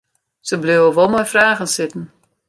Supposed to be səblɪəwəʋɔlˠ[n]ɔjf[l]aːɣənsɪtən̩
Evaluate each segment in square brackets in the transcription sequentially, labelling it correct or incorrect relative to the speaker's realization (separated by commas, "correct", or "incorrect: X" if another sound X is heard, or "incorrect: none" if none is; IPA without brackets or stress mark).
incorrect: m, incorrect: r